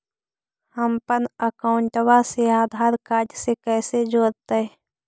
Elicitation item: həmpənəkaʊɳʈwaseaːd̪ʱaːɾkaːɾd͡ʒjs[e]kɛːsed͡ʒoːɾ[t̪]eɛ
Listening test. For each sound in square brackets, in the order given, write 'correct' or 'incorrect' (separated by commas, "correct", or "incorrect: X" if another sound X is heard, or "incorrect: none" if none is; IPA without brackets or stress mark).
correct, correct